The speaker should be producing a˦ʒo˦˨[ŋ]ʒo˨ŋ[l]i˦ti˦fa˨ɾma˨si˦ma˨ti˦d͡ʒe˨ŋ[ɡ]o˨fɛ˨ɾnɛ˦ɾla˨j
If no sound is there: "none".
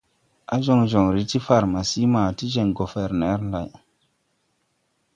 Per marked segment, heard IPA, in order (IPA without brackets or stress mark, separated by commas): ŋ, ɾ, ɡ